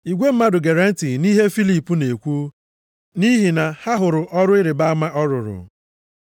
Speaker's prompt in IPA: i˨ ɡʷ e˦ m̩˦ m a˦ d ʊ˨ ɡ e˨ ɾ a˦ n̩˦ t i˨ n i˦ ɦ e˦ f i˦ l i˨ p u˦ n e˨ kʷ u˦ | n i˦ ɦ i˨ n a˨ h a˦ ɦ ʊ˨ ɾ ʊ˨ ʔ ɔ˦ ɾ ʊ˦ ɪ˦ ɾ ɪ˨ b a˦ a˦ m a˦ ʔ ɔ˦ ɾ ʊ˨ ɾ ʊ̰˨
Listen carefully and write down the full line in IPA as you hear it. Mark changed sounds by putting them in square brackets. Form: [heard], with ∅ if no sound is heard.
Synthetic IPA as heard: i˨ ɡʷ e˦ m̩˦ m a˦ d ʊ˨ ɡ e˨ ɾ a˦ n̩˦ t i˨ n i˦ ɦ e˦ f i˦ l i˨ p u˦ n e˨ kʷ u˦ | n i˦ ɦ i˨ n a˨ h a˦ ɦ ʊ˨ ɾ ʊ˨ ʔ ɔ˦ ɾ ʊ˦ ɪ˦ ɾ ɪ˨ b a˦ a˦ m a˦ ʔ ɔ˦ ɾ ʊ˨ ɾ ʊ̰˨